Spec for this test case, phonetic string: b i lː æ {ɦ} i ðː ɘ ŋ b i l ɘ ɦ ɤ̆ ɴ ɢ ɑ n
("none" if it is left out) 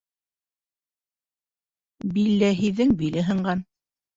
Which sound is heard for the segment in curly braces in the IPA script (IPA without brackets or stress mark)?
ɦ